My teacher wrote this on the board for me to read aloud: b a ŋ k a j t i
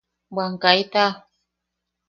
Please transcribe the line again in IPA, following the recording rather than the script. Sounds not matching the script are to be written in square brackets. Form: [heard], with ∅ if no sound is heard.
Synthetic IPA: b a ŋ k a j t [a]